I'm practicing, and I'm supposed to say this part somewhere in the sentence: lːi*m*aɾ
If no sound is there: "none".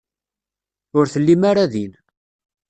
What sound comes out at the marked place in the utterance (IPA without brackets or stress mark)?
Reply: m